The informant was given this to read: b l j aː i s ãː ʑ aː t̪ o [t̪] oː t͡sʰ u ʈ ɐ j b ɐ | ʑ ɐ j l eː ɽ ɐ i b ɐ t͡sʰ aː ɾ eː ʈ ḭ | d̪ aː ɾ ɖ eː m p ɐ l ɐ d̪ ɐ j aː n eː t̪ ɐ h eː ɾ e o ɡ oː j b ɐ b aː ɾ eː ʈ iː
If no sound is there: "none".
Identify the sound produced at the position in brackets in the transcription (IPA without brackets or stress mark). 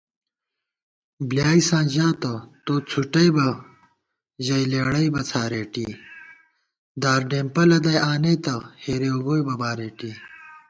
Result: t̪